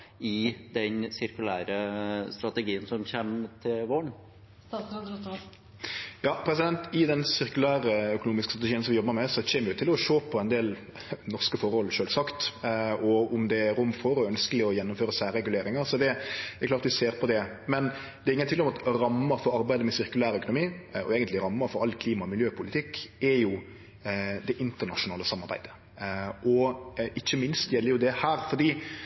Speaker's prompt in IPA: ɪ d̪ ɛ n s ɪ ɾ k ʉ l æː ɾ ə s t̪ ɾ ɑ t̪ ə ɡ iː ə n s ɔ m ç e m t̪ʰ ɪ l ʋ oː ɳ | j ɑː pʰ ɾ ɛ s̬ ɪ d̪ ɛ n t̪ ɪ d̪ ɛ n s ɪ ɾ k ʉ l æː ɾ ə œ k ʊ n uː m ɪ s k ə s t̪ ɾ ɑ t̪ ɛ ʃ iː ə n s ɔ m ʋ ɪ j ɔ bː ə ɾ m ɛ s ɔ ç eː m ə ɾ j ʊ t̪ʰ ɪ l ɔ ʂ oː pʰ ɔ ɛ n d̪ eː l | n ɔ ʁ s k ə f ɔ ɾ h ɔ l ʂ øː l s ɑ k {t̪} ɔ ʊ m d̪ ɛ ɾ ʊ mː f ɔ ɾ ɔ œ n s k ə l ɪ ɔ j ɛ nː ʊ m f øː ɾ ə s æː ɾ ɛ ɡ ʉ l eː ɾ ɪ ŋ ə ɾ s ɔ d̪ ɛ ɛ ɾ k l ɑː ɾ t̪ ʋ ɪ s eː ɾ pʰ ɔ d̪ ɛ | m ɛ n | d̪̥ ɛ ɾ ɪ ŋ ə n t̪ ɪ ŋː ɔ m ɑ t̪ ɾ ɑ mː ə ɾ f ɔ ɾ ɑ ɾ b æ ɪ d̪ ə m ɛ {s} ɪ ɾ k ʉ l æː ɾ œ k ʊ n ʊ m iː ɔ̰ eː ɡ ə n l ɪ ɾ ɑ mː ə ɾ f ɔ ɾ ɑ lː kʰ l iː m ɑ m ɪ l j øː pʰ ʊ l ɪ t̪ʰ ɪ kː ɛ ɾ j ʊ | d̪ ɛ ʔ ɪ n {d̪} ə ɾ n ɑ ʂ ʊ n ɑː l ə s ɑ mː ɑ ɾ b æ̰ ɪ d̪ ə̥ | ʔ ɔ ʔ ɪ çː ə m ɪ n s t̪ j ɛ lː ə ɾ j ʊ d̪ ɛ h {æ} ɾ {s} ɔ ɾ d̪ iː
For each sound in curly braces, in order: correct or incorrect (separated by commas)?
correct, correct, incorrect, incorrect, incorrect